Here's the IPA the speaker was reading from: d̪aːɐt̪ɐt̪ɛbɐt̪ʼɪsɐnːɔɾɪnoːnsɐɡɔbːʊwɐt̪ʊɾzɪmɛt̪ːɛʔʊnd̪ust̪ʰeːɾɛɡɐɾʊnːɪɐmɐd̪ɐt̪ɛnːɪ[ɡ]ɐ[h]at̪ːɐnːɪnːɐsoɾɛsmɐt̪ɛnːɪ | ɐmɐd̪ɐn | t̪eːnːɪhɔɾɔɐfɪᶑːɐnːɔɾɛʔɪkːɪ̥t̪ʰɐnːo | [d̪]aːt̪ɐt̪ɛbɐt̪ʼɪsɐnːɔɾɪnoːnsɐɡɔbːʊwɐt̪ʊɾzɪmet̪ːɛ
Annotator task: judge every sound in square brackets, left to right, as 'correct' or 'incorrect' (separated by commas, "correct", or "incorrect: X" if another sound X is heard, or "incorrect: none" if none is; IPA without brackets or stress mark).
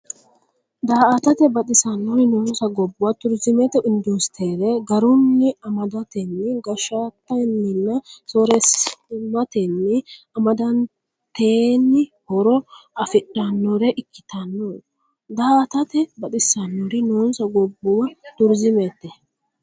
correct, incorrect: ʃ, correct